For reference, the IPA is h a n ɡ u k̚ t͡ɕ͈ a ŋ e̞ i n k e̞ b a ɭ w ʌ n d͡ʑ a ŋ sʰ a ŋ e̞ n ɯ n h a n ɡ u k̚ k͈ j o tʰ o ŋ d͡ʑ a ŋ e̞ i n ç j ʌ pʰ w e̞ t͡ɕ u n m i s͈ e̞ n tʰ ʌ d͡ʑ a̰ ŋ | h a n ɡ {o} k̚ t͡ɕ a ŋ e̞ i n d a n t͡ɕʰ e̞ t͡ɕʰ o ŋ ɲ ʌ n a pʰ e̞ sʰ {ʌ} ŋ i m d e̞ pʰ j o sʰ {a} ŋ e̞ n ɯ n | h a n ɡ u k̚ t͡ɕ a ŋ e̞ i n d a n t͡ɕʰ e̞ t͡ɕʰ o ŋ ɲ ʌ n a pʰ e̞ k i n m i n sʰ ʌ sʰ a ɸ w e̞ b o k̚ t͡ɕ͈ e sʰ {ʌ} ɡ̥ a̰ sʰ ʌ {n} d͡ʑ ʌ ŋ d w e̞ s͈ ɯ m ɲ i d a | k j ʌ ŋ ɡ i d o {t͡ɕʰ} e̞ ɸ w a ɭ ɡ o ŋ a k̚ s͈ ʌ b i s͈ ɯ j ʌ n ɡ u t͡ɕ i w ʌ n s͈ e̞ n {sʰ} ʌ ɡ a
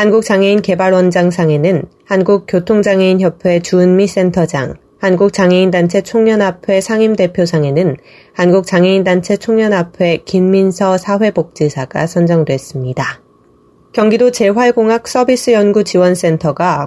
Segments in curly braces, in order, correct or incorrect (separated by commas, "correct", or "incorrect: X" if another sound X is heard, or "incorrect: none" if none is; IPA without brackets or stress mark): incorrect: u, incorrect: a, correct, incorrect: a, correct, incorrect: t͡ɕ, incorrect: tʰ